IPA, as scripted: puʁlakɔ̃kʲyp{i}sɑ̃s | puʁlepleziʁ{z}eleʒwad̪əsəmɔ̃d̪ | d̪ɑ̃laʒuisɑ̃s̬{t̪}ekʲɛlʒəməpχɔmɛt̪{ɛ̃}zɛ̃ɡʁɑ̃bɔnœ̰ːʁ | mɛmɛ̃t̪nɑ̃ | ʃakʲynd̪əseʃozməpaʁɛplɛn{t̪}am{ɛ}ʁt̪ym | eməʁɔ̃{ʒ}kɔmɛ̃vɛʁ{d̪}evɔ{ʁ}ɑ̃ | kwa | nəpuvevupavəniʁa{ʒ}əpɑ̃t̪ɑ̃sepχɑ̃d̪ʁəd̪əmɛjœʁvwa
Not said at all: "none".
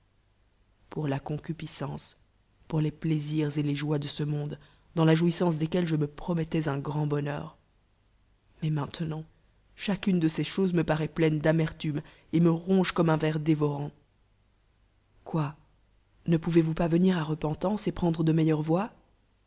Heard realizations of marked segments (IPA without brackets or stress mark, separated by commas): i, z, d̪, ɛ, d̪, ɛ, ʒ, d̪, ʁ, ʁ